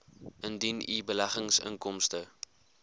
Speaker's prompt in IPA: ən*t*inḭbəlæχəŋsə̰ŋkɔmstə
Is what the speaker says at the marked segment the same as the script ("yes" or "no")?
no